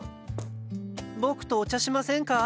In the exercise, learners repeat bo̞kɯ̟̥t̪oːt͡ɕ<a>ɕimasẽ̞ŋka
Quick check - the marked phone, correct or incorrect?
correct